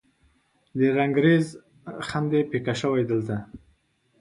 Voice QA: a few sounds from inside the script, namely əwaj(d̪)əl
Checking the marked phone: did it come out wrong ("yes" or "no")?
no